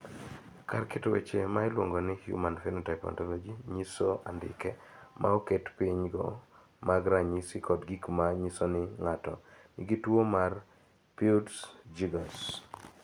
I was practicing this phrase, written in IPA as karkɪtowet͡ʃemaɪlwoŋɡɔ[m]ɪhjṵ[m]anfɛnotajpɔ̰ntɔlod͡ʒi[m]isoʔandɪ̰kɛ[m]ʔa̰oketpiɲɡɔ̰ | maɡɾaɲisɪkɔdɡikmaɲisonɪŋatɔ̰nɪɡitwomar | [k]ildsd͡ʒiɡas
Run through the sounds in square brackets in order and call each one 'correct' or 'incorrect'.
incorrect: n, correct, incorrect: ɲ, correct, incorrect: p

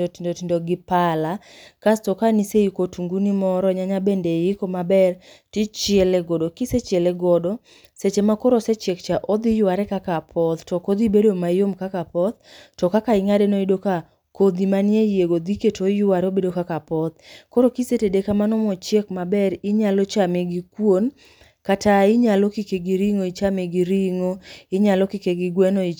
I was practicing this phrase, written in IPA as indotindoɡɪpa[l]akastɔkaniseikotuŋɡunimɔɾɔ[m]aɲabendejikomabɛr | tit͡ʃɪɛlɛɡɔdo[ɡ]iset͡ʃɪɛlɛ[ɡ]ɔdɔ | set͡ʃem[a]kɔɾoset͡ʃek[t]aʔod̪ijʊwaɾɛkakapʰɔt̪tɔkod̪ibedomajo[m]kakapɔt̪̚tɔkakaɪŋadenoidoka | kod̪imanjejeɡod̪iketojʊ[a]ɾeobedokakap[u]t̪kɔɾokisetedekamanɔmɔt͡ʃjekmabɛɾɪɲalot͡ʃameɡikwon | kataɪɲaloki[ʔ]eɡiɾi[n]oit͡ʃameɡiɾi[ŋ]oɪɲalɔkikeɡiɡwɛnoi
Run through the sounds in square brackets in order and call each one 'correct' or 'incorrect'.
correct, incorrect: ɲ, incorrect: k, correct, correct, incorrect: t͡ʃ, correct, correct, incorrect: ɔ, incorrect: k, incorrect: ŋ, correct

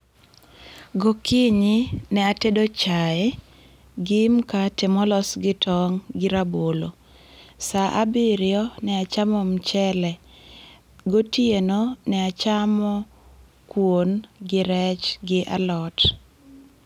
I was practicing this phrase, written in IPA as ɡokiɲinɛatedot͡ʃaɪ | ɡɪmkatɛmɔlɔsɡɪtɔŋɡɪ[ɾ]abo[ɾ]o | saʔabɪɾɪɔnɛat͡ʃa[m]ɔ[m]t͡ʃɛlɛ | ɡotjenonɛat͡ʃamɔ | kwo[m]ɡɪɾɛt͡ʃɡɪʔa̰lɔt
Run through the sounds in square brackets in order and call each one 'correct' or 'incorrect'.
correct, incorrect: l, correct, correct, incorrect: n

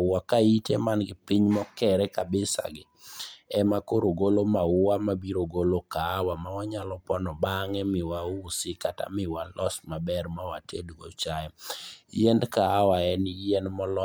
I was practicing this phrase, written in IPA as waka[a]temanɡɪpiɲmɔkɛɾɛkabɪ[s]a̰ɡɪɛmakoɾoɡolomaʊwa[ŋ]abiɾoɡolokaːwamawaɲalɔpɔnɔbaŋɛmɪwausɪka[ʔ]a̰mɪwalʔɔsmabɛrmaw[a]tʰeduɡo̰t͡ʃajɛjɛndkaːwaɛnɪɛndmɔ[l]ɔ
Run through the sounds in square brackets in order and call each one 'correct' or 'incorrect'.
incorrect: i, correct, incorrect: m, incorrect: t, correct, correct

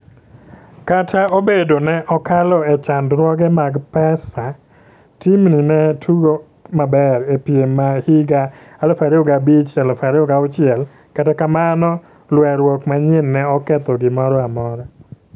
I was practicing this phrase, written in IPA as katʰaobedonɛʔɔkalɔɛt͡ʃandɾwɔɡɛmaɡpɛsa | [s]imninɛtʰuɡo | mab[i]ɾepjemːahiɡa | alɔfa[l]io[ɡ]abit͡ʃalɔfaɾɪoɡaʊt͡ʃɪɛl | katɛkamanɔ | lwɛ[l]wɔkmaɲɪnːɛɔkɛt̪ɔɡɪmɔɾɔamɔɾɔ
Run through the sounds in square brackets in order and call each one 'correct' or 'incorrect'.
incorrect: t, incorrect: ɛ, incorrect: ɾ, correct, incorrect: ɾ

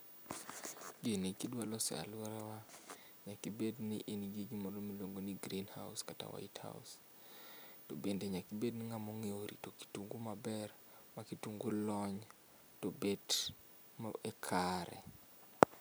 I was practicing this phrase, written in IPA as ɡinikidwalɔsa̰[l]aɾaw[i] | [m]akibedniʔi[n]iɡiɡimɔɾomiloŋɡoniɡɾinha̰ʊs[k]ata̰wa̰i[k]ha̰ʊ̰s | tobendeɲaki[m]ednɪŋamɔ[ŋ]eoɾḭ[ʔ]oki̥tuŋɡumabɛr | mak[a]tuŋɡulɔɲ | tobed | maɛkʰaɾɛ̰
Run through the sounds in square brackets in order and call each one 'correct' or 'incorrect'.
correct, incorrect: a, incorrect: ɲ, correct, correct, incorrect: t, incorrect: b, correct, incorrect: t, incorrect: i

